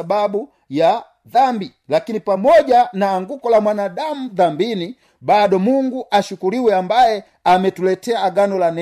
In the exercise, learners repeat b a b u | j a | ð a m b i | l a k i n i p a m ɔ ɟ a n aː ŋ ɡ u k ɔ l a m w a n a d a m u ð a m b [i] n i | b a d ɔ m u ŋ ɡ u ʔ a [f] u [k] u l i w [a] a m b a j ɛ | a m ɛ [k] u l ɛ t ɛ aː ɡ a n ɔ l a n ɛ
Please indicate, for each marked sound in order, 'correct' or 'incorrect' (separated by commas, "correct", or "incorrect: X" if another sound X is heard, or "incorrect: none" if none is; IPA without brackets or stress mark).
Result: correct, incorrect: ʃ, correct, incorrect: ɛ, incorrect: t